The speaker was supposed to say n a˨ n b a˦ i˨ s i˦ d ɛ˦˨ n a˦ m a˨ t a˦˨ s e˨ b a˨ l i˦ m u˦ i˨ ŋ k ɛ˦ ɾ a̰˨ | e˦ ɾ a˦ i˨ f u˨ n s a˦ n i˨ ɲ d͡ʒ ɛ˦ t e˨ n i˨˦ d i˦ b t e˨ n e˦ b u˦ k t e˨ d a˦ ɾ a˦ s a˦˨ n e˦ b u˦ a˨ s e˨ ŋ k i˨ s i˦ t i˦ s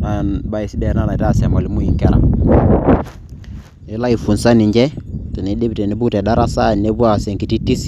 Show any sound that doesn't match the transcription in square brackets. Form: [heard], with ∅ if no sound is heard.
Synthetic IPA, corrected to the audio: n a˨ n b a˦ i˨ s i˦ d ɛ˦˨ n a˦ [n] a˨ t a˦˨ s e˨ [m] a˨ l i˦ m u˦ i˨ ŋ k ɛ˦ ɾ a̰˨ | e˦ [l] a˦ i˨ f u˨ n s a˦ n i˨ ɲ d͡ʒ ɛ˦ t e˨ n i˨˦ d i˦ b t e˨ n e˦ b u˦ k t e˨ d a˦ ɾ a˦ s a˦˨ n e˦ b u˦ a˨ s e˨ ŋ k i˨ [t] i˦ t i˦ s